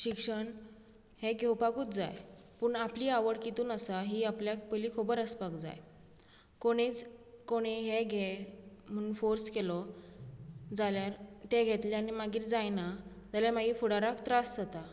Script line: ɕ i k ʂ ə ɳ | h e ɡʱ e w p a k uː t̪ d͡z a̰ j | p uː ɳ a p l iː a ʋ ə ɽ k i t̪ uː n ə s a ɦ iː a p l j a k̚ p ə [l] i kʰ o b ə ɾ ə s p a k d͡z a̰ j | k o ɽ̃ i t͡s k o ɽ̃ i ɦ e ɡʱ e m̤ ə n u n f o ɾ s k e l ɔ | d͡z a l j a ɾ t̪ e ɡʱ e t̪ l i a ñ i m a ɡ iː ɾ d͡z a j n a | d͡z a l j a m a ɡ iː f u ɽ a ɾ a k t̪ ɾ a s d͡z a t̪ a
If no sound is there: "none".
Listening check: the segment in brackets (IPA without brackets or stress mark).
l